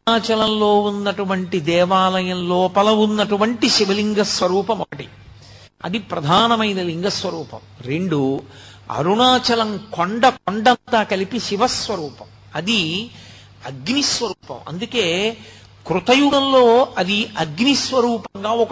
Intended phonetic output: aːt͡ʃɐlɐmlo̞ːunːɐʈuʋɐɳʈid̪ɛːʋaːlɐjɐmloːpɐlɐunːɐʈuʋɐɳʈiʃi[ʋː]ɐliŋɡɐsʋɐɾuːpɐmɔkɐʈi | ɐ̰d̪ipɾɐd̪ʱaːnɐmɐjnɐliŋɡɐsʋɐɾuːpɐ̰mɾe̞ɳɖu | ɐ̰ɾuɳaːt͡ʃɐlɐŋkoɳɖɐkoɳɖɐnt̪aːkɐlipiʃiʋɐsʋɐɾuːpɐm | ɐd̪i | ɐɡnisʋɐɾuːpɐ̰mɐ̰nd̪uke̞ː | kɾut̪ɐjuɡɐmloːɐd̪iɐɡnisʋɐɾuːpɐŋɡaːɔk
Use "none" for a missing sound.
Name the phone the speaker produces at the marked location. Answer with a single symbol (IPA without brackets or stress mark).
ʋ